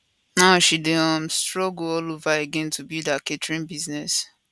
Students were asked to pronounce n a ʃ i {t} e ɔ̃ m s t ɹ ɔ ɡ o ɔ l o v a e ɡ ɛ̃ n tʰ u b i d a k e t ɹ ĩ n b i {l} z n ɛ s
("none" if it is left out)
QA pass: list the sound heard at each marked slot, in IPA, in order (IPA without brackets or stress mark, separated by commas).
d, none